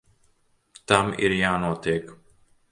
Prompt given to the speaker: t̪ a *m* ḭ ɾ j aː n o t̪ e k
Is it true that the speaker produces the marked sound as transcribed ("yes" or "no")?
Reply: yes